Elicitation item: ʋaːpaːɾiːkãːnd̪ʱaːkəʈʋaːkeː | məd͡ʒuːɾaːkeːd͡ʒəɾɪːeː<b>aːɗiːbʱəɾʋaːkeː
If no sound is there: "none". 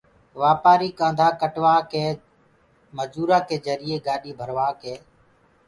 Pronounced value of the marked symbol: ɡ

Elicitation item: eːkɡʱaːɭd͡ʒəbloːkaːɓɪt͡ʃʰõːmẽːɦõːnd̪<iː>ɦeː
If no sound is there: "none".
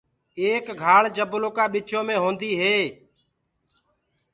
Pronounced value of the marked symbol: iː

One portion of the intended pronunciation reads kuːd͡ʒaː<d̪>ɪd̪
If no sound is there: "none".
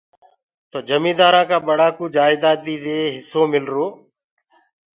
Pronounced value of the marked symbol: none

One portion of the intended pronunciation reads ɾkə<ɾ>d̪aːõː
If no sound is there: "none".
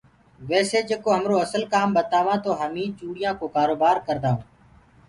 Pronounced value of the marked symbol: ɾ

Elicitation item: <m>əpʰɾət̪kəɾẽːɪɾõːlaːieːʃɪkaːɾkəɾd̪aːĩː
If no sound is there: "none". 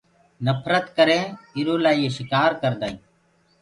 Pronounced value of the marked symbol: n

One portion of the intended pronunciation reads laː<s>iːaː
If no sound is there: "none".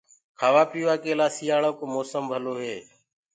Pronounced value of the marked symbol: s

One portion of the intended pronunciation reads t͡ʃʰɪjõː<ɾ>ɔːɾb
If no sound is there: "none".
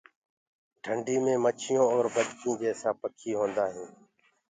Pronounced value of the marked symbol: none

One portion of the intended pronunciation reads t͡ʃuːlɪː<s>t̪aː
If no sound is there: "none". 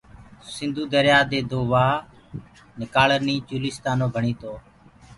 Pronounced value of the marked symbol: s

